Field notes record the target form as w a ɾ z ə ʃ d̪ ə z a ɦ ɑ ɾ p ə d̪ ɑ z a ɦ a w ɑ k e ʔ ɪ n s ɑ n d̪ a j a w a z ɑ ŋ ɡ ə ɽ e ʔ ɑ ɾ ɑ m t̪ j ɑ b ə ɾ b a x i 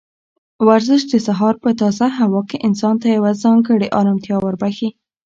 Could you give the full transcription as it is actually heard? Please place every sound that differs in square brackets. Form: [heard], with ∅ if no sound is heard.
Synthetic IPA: w a ɾ z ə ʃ d̪ ə [s] a ɦ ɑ ɾ p ə [t̪] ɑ z a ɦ a w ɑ k e ʔ ɪ n s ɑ n [t̪] a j a w a z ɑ ŋ ɡ ə ɽ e ʔ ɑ ɾ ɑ m t̪ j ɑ [w] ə ɾ b a x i

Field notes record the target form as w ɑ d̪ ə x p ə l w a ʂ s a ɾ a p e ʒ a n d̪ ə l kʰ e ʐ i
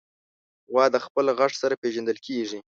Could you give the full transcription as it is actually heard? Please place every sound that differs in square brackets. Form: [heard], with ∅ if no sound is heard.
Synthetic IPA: w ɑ d̪ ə x p ə l [ɣ] a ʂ s a ɾ a p e ʒ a n d̪ ə l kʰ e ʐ i

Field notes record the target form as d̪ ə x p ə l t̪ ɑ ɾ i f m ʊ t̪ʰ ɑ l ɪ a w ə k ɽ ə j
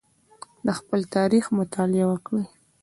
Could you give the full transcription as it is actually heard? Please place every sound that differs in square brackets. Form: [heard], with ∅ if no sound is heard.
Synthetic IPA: d̪ ə x p ə l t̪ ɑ ɾ i [x] m ʊ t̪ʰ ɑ l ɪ a w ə k ɽ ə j

